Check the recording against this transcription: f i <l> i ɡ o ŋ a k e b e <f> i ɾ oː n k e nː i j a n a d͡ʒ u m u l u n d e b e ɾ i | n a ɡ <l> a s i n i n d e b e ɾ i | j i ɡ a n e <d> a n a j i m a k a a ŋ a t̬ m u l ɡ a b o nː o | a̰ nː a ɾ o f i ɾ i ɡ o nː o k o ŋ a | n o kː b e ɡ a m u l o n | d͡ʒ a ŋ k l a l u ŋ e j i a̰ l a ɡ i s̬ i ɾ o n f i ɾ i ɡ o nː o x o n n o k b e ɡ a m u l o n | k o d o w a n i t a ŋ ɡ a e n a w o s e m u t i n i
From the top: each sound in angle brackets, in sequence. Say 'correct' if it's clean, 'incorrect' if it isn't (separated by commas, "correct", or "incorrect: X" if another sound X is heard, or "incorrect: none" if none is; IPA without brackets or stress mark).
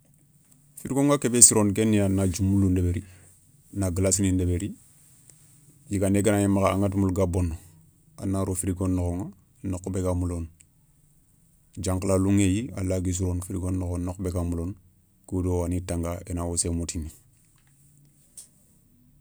incorrect: ɾ, incorrect: s, correct, incorrect: ɡ